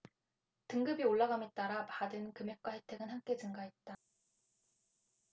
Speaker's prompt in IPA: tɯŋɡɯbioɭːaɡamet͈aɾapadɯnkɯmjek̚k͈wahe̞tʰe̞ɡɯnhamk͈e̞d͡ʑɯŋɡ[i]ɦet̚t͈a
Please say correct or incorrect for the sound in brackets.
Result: incorrect: a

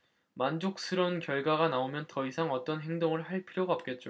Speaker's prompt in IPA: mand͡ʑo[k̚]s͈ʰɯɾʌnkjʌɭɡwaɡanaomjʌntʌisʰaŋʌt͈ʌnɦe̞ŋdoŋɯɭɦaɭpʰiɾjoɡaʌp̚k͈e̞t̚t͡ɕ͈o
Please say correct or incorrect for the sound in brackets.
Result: correct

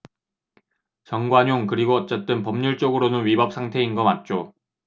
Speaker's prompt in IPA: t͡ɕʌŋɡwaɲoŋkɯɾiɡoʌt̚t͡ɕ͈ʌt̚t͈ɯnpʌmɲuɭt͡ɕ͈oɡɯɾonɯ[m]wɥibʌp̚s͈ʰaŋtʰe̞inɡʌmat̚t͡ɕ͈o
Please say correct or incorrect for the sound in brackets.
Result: incorrect: n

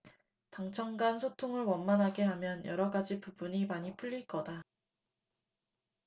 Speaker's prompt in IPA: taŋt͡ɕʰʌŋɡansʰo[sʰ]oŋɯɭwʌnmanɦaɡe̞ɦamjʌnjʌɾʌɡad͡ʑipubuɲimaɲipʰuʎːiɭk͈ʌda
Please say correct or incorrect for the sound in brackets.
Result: incorrect: tʰ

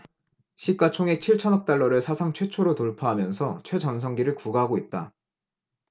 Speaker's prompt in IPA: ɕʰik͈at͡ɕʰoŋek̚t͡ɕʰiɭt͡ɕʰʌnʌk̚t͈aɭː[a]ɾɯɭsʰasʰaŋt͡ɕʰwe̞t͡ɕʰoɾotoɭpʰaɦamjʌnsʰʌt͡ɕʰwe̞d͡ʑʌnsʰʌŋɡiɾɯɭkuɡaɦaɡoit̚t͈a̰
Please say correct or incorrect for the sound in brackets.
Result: incorrect: ʌ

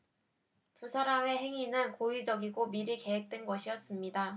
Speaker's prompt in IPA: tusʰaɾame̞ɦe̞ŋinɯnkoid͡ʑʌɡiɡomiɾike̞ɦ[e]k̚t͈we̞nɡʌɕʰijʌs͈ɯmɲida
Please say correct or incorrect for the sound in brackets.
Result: correct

